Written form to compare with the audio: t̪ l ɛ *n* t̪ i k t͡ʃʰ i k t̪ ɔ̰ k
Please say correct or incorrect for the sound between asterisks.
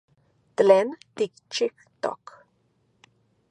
correct